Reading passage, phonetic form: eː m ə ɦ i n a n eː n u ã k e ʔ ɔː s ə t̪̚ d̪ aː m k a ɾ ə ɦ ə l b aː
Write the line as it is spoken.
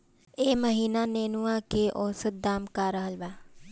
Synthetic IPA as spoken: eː m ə ɦ iː n a n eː n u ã k e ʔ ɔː s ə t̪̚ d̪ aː m k a ɾ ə ɦ ə l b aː